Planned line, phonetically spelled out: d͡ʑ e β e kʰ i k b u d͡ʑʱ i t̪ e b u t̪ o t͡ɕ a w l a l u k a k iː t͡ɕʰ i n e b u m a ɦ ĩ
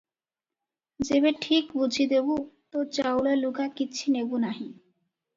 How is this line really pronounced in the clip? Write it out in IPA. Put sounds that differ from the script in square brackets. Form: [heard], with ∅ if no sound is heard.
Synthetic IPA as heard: d͡ʑ e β e [ʈʰ] i k b u d͡ʑʱ i [d̪] e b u t̪ o t͡ɕ a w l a l u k a k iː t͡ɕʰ i n e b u [n] a ɦ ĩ